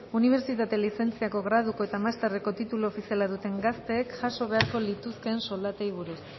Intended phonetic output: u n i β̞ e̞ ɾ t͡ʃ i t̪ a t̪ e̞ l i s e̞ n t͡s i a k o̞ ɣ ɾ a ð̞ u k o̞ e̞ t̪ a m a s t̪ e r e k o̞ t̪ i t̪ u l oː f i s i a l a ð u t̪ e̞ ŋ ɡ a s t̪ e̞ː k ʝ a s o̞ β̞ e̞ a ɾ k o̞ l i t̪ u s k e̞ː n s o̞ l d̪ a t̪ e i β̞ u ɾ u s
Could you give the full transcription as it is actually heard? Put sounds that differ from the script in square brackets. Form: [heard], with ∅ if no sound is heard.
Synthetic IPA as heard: u n i β̞ e̞ ɾ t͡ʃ i t̪ a t̪ e̞ l i s e̞ n t͡s i a k o̞ ɣ ɾ a ð̞ u k o̞ e̞ t̪ a m a s t̪ e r e k o̞ t̪ i t̪ u l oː f i s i a l a ð u t̪ e̞ ŋ ɡ a s t̪ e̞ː k ʝ a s o̞ β̞ e̞ a ɾ k o̞ l i t̪ u s k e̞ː n s o̞ l d̪ a t̪ e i β̞ u ɾ u s